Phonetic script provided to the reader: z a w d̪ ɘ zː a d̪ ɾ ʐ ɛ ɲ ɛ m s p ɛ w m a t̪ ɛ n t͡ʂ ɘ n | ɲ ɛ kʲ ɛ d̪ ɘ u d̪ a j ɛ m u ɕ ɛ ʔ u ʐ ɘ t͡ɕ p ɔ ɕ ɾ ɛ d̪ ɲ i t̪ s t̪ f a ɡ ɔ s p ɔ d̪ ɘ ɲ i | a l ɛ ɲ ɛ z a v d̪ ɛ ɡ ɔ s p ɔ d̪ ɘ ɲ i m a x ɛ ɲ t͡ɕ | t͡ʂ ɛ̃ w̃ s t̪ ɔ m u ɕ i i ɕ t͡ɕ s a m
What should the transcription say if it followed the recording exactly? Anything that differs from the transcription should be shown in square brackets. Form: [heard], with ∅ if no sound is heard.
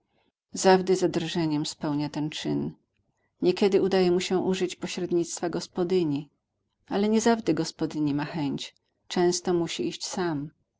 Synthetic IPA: z a [v] d̪ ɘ [z] a d̪ ɾ ʐ ɛ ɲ ɛ m s p ɛ w [ɲ] a t̪ ɛ n t͡ʂ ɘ n | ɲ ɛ kʲ ɛ d̪ ɘ u d̪ a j ɛ m u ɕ ɛ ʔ u ʐ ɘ t͡ɕ p ɔ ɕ ɾ ɛ d̪ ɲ i t̪ s t̪ f a ɡ ɔ s p ɔ d̪ ɘ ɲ i | a l ɛ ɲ ɛ z a v d̪ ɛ ɡ ɔ s p ɔ d̪ ɘ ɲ i m a x ɛ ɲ t͡ɕ | t͡ʂ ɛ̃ w̃ s t̪ ɔ m u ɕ i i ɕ t͡ɕ s a m